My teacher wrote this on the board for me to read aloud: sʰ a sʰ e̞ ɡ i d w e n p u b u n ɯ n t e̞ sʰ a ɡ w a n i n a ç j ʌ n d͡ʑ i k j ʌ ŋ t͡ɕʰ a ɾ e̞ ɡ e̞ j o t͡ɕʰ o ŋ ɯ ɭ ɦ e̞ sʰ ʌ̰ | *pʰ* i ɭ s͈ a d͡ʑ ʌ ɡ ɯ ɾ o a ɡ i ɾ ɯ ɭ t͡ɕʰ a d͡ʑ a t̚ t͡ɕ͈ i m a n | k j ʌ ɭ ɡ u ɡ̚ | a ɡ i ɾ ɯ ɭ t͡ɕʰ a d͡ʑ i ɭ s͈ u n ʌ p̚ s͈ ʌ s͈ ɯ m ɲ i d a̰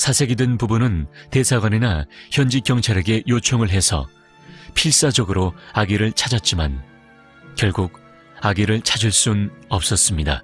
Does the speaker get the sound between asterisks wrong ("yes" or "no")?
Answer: no